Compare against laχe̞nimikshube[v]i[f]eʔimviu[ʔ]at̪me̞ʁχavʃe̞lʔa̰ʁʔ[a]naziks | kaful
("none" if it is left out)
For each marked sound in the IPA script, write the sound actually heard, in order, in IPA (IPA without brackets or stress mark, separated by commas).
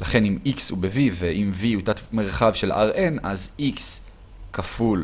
v, v, t, e